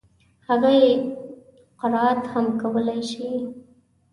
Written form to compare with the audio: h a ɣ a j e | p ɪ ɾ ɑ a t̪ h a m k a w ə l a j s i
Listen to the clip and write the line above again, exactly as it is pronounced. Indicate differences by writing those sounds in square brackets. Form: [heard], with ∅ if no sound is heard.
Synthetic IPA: h a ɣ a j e | [q] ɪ ɾ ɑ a t̪ h a m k a w ə l a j [ʃ] i